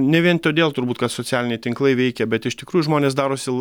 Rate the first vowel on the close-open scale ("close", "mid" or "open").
mid